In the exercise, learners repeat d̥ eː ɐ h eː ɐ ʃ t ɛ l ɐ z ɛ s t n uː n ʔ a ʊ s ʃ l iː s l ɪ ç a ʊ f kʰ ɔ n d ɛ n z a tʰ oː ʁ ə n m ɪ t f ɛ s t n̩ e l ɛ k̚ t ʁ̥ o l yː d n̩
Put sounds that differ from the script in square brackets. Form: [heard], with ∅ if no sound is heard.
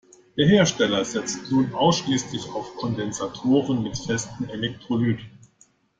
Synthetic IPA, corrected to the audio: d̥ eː ɐ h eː ɐ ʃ t ɛ l ɐ z ɛ [t͡s] t n uː n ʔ a ʊ s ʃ l iː s l ɪ ç a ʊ f kʰ ɔ n d ɛ n z a tʰ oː ʁ ə n m ɪ t f ɛ s t n̩ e l ɛ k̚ t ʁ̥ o l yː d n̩